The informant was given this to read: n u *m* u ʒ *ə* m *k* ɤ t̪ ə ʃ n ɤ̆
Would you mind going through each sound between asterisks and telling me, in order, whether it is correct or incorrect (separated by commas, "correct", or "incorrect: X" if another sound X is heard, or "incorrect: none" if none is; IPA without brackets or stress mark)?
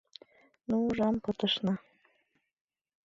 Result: incorrect: none, incorrect: ɑ, incorrect: p